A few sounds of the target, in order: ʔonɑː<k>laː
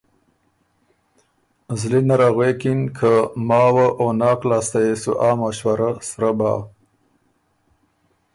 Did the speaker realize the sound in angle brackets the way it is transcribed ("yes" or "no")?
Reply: yes